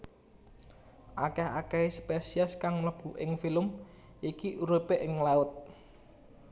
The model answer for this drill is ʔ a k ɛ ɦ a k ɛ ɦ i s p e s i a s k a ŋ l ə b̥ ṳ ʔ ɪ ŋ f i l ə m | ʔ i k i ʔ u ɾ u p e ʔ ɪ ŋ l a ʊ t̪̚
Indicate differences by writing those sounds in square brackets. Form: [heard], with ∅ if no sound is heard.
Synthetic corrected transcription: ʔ a k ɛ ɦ a k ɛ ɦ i s p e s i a s k a ŋ l ə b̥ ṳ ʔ ɪ ŋ f i l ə m | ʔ i k i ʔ u ɾ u p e ʔ ɪ ŋ l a ʊ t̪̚